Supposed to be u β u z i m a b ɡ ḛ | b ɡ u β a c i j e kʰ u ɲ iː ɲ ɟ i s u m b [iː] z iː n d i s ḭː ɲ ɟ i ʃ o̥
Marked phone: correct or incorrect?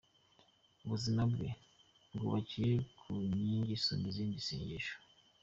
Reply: incorrect